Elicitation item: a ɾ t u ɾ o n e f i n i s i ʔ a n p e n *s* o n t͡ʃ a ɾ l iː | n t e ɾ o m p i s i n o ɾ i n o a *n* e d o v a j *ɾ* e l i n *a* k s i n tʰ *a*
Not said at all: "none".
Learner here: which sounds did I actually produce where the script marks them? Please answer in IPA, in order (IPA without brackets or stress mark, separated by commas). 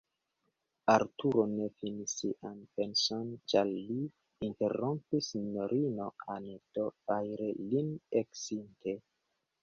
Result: s, n, ɾ, e, e